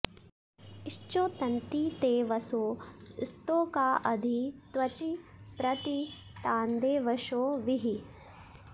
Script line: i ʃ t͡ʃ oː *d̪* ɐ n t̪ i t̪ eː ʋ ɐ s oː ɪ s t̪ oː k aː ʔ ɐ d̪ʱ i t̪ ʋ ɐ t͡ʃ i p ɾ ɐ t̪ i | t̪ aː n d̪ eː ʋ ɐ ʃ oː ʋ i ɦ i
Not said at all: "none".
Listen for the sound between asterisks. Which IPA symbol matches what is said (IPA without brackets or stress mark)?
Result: t̪